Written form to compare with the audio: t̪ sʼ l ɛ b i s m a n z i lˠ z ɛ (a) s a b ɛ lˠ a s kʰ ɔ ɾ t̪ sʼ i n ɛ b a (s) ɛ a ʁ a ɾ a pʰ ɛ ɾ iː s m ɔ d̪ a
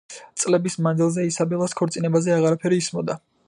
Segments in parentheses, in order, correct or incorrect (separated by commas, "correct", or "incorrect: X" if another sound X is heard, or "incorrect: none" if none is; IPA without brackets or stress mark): incorrect: i, incorrect: z